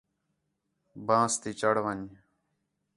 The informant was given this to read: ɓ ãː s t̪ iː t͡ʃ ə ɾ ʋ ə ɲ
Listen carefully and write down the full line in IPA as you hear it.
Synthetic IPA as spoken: b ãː s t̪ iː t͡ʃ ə ɽ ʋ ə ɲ